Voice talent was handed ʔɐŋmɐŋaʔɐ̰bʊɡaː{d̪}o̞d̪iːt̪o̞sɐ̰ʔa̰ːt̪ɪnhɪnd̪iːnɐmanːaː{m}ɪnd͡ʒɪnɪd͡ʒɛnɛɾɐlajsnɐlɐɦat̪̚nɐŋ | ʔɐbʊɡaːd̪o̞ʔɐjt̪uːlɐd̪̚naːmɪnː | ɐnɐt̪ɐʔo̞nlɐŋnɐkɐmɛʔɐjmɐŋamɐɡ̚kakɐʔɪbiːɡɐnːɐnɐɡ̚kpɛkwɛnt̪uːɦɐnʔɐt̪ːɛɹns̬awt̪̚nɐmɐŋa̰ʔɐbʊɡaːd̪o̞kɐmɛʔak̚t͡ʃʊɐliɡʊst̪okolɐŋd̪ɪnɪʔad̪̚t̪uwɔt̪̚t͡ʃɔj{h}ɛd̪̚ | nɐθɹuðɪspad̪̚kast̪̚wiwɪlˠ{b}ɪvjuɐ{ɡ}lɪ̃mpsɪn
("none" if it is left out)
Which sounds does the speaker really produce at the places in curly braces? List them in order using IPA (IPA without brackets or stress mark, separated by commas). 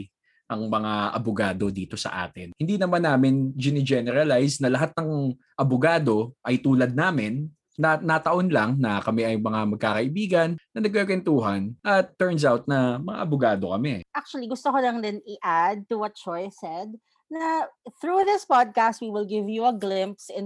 d̪, m, s, ɡ, ɡ